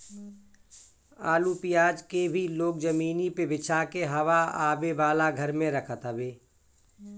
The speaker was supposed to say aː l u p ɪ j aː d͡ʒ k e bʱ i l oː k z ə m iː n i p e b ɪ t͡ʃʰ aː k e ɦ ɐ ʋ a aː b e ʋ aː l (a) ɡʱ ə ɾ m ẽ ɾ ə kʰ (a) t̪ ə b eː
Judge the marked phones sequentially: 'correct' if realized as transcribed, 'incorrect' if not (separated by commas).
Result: correct, incorrect